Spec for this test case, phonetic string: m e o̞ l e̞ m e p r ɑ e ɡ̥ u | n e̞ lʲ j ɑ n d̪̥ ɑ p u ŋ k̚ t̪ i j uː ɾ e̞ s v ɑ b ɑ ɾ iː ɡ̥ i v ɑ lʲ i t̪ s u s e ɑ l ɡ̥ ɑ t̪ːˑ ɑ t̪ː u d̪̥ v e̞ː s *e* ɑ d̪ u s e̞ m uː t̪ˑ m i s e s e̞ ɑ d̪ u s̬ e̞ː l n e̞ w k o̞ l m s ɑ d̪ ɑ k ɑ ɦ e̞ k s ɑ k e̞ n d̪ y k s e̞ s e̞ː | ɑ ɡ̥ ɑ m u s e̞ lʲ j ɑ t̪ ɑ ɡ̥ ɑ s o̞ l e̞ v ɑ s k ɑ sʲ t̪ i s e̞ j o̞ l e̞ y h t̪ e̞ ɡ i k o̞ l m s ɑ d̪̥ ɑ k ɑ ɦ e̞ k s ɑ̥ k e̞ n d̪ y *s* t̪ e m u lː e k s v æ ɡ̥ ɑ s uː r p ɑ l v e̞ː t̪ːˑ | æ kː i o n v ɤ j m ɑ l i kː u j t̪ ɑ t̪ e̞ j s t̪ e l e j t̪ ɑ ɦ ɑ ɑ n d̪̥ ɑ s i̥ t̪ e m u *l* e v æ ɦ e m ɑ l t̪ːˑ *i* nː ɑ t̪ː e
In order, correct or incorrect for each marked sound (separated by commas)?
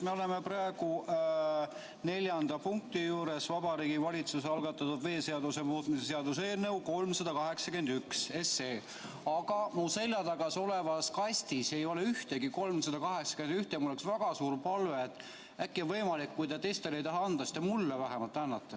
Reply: correct, incorrect, incorrect, incorrect